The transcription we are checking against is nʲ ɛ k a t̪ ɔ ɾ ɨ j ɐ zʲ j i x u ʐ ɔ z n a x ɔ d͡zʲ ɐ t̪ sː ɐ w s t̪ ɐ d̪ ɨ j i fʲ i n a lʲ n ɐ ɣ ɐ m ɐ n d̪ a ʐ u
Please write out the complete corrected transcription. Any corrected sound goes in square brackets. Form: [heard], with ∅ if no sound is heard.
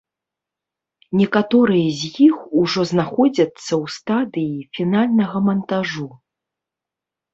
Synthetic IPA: nʲ ɛ k a t̪ ɔ ɾ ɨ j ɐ zʲ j i x u ʐ ɔ z n a x ɔ d͡zʲ ɐ t̪ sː ɐ w s t̪ [a] d̪ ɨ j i fʲ i n a lʲ n ɐ ɣ ɐ m ɐ n [t̪] a ʐ u